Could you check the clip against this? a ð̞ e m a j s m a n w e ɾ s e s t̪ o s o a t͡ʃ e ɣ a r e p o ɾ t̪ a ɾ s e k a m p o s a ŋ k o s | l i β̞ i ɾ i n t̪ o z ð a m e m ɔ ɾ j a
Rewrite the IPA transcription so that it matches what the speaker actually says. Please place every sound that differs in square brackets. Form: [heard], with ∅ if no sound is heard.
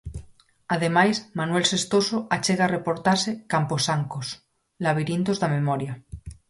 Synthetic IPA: a ð̞ e m a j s m a n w e [l] s e s t̪ o s o a t͡ʃ e ɣ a r e p o ɾ t̪ a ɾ s e k a m p o s a ŋ k o s | l [a] β̞ i ɾ i n t̪ o z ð a m e m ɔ ɾ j a